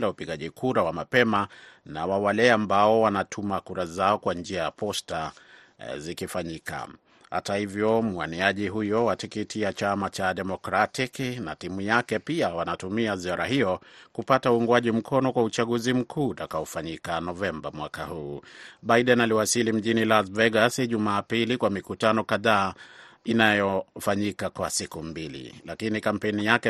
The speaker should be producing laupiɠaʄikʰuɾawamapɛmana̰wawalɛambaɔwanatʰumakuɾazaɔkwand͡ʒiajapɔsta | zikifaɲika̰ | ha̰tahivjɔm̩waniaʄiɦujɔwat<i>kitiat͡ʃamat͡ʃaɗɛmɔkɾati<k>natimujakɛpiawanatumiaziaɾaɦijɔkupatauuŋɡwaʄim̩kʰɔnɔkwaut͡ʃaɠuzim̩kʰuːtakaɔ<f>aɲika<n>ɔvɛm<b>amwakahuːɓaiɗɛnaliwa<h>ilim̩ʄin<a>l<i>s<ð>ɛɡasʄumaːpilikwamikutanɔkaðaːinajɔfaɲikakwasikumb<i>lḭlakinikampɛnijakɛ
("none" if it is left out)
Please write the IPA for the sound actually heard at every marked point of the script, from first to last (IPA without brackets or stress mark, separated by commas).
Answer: i, k, f, n, b, s, i, a, v, i